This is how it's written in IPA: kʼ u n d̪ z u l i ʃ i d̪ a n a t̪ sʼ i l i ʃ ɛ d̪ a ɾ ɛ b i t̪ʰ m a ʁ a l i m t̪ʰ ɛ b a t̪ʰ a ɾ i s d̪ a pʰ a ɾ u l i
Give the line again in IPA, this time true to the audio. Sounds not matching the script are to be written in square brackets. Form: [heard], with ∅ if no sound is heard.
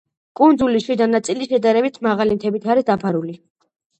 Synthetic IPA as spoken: kʼ u n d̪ z u l i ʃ i d̪ a n a t̪ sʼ i l i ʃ ɛ d̪ a ɾ ɛ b i t̪ʰ m a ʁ a l i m t̪ʰ ɛ b [i] t̪ʰ a ɾ i s d̪ a pʰ a ɾ u l i